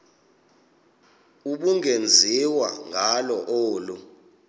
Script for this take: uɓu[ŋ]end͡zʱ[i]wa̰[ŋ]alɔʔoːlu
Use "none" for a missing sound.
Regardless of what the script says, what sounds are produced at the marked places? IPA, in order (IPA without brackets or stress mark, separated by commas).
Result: ŋ, i, ŋ